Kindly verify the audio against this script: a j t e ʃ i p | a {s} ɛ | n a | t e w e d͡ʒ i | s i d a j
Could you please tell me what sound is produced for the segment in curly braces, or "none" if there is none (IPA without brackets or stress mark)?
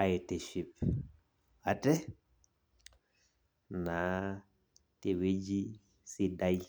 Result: t